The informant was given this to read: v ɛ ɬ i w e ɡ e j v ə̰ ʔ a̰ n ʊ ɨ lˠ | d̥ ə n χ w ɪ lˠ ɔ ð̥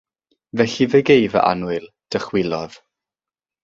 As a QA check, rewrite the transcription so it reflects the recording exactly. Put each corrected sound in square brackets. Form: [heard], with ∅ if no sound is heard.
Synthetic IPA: v ɛ ɬ i [v] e ɡ e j v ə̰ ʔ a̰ n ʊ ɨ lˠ | d̥ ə [∅] χ w ɪ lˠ ɔ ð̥